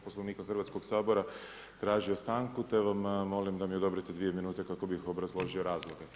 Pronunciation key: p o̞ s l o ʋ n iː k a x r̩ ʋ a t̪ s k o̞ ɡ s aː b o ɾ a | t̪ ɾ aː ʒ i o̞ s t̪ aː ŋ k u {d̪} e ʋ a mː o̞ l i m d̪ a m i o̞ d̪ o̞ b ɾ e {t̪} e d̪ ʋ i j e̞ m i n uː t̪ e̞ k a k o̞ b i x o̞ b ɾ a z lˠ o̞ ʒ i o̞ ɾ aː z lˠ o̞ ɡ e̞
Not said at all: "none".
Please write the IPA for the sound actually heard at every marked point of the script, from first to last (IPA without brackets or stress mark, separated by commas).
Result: t̪, t̪